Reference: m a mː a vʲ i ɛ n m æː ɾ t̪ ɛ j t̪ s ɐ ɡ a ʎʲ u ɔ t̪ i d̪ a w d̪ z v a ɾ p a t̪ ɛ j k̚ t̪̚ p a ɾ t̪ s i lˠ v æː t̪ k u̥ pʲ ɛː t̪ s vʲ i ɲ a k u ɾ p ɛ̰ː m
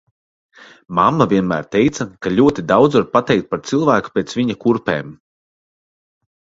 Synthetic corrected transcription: m a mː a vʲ i ɛ n m æː ɾ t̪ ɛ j t̪ s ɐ k a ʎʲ u ɔ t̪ i d̪ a w d̪ z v a ɾ p a t̪ ɛ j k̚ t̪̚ p a ɾ t̪ s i lˠ v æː k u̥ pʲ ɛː t̪ s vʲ i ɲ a k u ɾ p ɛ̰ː m